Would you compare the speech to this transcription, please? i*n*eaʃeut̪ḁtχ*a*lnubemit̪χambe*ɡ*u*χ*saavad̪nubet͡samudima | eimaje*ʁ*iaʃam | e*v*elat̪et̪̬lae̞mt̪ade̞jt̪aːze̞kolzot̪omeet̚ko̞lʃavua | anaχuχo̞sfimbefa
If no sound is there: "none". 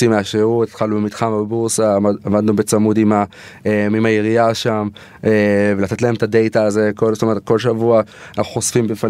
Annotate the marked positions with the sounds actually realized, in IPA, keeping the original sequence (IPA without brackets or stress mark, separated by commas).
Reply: m, a, b, ʁ, ʁ, v